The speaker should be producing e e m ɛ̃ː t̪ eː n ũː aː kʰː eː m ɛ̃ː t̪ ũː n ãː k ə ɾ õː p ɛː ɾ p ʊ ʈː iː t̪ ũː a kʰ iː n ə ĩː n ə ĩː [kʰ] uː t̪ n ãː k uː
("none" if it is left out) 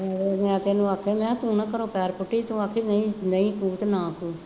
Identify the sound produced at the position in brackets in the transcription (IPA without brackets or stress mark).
k